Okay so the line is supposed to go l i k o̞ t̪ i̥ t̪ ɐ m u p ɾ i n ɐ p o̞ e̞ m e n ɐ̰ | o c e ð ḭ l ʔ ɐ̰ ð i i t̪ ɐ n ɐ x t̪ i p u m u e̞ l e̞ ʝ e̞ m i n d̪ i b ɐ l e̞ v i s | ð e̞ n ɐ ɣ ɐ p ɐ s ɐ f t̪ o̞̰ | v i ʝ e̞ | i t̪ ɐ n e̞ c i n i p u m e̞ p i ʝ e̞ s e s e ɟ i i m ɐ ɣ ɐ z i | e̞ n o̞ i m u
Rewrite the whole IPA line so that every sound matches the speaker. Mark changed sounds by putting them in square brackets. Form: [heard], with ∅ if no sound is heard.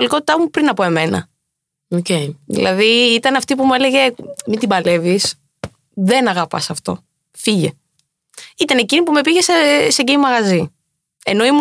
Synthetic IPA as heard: l i k o̞ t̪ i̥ t̪ ɐ m u p ɾ i n ɐ p o̞ e̞ m e n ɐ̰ | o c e ð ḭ l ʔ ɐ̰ ð i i t̪ ɐ n ɐ [f] t̪ i p u m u e̞ l e̞ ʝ e̞ m i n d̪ i b ɐ l e̞ v i s | ð e̞ n ɐ ɣ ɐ p ɐ s ɐ f t̪ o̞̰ | [f] i ʝ e̞ | i t̪ ɐ n e̞ c i n i p u m e̞ p i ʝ e̞ s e s e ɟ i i m ɐ ɣ ɐ z i | e̞ n o̞ i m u